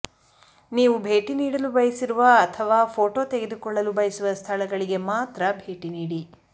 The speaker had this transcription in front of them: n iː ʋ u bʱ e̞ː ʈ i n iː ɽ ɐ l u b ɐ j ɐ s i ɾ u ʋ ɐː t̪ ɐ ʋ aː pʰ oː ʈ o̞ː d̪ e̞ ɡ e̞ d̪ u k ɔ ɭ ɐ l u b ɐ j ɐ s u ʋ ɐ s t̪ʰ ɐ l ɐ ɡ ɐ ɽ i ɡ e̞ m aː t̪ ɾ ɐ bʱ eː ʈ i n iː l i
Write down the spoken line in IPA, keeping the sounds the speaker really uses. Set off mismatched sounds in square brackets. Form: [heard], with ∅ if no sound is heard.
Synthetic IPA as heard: n iː ʋ u bʱ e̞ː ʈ i n iː ɽ ɐ l u b ɐ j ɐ s i ɾ u ʋ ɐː [t̪ʰ] ɐ ʋ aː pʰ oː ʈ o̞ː [t̪] e̞ ɡ e̞ d̪ u k ɔ [ɭː] ɐ l u b ɐ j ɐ s u ʋ ɐ s t̪ʰ ɐ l ɐ ɡ ɐ [ɭ] i ɡ e̞ m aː t̪ ɾ ɐ bʱ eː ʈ i n iː [ɽ] i